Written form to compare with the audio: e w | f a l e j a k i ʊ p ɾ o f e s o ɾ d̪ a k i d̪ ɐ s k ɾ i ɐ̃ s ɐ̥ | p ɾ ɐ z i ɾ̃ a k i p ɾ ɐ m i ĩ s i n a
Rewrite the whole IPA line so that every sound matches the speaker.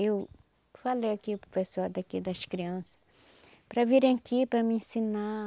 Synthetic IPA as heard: e w | f a l e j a k i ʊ p ɾ o f e s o ɾ d̪ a k i d̪ ɐ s k ɾ i ɐ̃ s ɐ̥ | p ɾ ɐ v i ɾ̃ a k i p ɾ ɐ m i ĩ s i n a